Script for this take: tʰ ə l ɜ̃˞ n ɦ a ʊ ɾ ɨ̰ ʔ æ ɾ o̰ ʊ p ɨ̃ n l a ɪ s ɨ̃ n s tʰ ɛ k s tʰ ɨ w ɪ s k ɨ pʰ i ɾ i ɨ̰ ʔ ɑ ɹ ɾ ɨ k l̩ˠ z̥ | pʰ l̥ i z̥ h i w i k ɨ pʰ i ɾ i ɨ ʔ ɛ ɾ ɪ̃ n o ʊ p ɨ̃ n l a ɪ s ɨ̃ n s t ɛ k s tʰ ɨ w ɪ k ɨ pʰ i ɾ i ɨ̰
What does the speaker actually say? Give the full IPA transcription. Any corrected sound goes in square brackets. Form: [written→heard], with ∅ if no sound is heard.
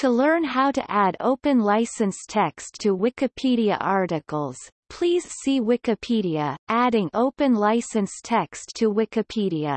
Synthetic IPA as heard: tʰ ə l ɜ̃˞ n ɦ a ʊ ɾ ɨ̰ ʔ æ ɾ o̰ ʊ p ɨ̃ n l a ɪ s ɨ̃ n s tʰ ɛ k s tʰ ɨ w ɪ [s→∅] k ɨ pʰ i ɾ i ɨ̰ ʔ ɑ ɹ ɾ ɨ k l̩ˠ z̥ | pʰ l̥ i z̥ [h→s] i w [i→ɪ] k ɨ pʰ i ɾ i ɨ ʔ [ɛ→æ] ɾ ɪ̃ [n→ŋ] o ʊ p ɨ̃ n l a ɪ s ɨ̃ n s [t→tʰ] ɛ k s tʰ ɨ w ɪ k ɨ pʰ i ɾ i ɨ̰